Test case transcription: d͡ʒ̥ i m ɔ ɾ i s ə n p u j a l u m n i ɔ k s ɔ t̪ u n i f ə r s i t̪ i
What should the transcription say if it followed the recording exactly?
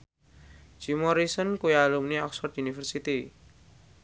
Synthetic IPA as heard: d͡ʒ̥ i m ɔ ɾ i s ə n k u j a l u m n i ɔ k s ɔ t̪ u n i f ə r s i t̪ i